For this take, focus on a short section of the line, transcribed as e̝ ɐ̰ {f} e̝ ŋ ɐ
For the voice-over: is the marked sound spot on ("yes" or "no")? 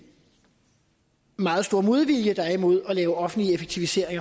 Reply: no